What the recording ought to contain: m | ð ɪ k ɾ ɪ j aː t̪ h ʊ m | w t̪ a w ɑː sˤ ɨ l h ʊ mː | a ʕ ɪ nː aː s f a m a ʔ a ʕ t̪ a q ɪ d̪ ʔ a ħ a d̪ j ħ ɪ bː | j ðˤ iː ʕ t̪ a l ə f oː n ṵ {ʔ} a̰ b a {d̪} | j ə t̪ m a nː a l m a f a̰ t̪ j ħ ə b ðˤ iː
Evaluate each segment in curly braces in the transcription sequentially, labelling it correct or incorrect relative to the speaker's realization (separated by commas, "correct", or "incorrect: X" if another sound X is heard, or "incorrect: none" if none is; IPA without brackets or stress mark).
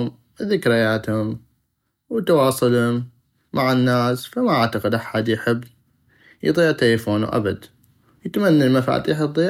correct, correct